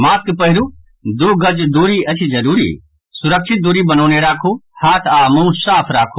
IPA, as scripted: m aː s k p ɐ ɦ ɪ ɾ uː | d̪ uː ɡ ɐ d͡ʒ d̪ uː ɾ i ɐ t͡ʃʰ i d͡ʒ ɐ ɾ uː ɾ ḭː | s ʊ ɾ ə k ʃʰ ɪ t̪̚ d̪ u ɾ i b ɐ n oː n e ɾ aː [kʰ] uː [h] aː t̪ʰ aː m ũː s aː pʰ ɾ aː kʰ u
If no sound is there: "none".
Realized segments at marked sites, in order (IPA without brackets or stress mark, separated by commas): kʰ, h